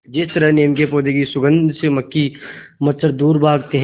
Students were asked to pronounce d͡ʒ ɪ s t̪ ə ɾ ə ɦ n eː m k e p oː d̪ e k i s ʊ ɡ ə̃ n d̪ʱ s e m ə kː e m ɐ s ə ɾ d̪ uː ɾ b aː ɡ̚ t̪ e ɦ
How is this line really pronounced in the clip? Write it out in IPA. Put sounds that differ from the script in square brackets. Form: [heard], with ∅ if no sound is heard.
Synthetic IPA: d͡ʒ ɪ s t̪ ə ɾ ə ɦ n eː m k e p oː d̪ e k i s ʊ ɡ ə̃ n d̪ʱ s e m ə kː [i] m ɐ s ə ɾ d̪ uː ɾ b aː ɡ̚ t̪ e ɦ